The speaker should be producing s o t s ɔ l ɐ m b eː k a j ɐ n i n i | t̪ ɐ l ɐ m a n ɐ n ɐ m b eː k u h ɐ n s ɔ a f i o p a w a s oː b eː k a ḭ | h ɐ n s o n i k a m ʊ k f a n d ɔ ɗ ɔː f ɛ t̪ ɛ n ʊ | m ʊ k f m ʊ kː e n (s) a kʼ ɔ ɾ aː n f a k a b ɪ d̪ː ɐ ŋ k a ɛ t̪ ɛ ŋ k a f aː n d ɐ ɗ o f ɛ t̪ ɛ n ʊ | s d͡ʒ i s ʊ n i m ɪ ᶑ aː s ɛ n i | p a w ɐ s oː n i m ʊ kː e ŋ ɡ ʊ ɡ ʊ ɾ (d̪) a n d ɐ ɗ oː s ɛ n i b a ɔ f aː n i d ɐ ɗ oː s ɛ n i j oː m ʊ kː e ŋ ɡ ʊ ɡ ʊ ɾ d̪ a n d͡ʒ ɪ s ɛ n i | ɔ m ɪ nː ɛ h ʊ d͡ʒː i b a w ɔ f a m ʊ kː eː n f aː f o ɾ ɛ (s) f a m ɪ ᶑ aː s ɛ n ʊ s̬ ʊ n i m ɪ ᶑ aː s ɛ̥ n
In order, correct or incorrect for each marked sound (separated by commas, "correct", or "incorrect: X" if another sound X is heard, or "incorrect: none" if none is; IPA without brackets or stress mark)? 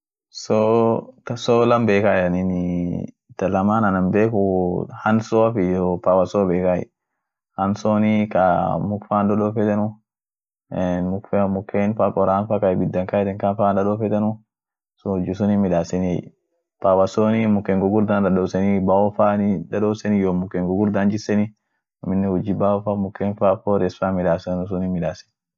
incorrect: f, correct, correct